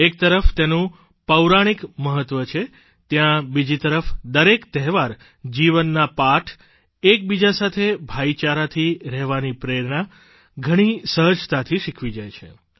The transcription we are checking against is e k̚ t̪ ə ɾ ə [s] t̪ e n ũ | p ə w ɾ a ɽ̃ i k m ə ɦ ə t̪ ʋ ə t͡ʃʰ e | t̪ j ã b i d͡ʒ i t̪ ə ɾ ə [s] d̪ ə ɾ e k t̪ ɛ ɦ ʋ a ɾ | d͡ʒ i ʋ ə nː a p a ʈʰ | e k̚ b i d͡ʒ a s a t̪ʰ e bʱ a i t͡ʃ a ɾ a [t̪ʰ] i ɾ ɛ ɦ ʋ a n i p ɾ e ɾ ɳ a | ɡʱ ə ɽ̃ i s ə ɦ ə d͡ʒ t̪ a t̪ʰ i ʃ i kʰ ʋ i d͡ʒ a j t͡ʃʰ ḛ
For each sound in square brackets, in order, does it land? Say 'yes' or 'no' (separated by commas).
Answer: no, no, yes